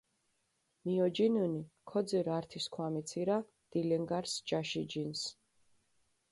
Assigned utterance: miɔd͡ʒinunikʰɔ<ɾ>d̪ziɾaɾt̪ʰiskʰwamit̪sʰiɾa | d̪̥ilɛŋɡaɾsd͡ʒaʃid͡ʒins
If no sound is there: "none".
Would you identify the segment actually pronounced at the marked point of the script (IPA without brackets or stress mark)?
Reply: none